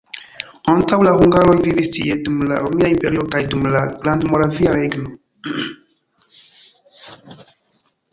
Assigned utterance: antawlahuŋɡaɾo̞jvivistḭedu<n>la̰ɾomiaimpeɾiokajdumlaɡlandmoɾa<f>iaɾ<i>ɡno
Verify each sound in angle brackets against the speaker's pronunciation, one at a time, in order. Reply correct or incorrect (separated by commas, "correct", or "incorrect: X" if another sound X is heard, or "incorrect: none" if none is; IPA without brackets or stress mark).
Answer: incorrect: m, incorrect: v, incorrect: e